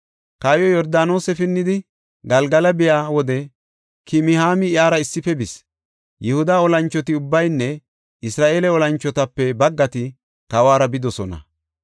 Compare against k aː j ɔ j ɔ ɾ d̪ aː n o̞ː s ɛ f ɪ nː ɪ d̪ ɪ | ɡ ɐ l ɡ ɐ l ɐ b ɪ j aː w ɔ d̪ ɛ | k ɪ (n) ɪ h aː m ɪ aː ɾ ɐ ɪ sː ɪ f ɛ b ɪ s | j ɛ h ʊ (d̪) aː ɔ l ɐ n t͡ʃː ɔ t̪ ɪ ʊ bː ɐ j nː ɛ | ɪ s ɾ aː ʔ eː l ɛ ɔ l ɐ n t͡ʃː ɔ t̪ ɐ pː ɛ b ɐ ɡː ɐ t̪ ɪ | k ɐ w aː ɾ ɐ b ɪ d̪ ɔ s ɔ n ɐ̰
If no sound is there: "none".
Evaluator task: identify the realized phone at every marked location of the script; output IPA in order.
m, d̪

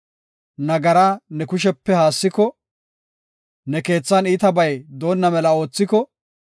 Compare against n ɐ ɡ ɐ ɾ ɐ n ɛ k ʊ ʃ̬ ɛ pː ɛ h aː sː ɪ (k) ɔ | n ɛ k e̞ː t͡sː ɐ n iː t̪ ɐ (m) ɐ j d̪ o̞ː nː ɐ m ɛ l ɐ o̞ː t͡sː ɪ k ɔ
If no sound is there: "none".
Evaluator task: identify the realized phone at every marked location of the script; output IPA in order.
k, b

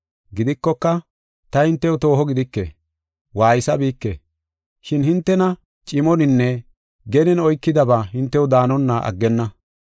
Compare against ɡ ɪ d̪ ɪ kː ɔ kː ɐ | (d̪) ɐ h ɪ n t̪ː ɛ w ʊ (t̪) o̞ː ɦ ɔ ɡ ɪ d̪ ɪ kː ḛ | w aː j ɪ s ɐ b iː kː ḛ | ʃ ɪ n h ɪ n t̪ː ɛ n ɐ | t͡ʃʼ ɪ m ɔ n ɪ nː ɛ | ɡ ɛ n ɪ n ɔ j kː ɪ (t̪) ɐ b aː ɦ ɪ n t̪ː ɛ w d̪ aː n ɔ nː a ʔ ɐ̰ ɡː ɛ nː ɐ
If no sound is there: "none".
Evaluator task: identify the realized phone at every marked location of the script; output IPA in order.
t̪, t̪, d̪

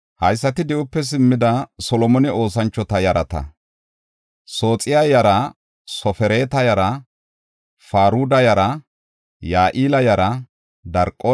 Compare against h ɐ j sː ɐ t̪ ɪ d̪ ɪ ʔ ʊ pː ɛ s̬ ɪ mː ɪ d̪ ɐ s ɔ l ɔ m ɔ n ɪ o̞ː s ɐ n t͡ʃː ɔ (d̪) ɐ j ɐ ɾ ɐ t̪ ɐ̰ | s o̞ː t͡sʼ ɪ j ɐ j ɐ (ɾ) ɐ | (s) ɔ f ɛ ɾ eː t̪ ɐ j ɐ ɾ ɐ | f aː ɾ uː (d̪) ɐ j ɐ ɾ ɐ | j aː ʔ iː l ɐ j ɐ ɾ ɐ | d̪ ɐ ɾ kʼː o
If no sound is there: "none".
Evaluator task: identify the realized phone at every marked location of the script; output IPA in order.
t̪, ɾ, s, d̪

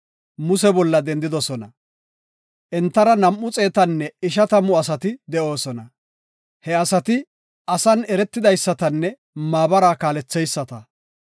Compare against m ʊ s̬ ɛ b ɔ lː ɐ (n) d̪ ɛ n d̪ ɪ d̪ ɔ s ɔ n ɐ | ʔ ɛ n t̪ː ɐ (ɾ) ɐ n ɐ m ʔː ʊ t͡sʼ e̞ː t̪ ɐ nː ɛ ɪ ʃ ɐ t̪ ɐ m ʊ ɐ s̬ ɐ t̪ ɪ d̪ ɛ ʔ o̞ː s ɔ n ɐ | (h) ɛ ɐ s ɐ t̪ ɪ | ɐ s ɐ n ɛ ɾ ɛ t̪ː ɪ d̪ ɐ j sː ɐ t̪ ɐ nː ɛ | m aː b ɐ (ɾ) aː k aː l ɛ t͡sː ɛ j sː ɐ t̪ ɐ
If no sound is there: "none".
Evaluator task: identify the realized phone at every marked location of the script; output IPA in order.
none, ɾ, h, ɾ

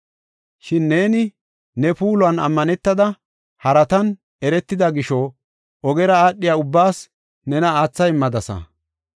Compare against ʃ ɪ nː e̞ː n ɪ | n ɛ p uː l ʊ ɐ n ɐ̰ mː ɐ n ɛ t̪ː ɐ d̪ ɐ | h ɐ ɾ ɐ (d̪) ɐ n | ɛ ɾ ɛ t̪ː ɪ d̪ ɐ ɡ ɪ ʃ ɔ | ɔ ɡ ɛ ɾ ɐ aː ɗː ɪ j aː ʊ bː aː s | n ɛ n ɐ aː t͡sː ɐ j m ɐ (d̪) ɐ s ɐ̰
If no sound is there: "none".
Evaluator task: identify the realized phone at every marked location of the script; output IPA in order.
t̪, d̪

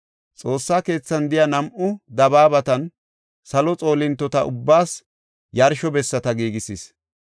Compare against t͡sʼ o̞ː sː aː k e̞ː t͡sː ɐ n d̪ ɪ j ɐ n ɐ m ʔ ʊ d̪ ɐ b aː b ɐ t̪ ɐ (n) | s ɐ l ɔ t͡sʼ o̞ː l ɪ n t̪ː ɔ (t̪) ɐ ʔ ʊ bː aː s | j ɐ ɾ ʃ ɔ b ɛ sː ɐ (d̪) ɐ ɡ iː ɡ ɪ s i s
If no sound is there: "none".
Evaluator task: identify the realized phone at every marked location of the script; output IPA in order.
n, t̪, t̪

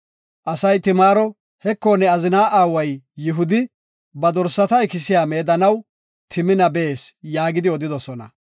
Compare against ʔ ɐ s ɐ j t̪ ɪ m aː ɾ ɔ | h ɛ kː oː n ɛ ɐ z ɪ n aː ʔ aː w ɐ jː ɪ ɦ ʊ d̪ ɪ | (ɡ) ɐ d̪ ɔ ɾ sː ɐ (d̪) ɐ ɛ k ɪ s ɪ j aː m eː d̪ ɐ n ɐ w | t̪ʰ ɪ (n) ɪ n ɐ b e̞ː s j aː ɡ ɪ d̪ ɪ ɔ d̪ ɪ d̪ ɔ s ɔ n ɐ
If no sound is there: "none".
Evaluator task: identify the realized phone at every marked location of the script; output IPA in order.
b, t̪, m

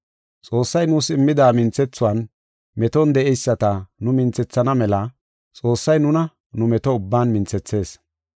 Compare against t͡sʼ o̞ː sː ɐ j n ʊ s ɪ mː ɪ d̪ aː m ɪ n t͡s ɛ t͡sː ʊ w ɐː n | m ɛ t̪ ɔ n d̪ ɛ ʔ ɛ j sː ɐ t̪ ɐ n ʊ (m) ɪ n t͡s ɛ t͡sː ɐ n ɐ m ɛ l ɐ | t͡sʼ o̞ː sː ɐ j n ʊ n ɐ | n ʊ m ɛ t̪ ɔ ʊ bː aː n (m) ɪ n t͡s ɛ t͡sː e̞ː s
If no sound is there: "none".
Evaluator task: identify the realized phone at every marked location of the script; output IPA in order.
m, m

